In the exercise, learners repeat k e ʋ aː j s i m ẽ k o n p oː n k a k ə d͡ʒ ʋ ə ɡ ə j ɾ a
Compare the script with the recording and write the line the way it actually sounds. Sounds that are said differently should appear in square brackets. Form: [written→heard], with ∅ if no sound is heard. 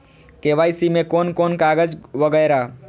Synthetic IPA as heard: k e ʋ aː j s i m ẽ k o n [p→k] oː n k a [k→ɡ] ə d͡ʒ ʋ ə ɡ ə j ɾ a